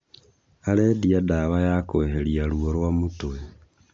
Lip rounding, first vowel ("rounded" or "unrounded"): unrounded